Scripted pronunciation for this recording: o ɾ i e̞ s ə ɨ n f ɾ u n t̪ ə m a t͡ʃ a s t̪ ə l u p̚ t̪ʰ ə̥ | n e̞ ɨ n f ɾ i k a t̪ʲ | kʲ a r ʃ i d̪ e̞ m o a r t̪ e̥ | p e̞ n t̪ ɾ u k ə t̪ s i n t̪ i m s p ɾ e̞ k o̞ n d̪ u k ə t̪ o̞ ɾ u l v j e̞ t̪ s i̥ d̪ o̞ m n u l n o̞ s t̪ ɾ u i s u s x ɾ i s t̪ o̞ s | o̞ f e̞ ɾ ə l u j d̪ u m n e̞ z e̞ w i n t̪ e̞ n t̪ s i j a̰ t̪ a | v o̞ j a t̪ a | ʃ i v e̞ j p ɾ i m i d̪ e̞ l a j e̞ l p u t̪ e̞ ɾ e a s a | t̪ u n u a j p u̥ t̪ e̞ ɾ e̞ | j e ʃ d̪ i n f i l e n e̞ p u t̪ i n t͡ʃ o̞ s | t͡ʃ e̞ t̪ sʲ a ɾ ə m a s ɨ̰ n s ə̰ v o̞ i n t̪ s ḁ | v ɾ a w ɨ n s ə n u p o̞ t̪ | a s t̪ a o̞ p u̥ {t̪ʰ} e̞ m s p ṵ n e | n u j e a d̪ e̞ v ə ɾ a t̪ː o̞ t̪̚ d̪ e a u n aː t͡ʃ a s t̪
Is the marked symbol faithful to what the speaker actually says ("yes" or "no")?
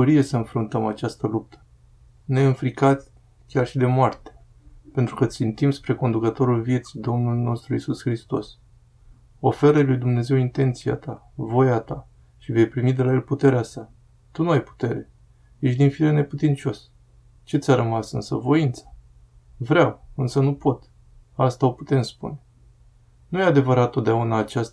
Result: no